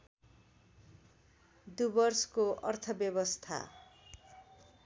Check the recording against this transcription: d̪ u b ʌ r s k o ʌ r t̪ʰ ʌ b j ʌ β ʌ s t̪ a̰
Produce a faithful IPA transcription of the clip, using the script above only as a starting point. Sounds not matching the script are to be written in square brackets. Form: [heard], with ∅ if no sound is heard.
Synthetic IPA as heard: d̪ u b ʌ r s k o ʌ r t̪ʰ ʌ b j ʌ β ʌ s [t̪ʰ] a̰